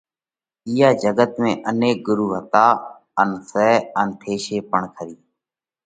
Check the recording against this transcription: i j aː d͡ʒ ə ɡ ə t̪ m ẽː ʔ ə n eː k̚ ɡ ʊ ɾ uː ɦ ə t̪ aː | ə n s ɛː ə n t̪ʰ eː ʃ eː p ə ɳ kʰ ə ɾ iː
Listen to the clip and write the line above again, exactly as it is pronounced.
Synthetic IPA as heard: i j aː d͡ʒ ə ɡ ə t̪ m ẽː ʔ ə n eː k̚ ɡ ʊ ɾ uː ɦ ə t̪ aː | ə n s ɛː ə n t̪ʰ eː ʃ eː p ə ɳ kʰ ə ɾ iː